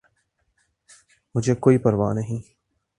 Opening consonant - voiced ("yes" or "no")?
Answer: yes